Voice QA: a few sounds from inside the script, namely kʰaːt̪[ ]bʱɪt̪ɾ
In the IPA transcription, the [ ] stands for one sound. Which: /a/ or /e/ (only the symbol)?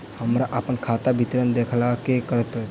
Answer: a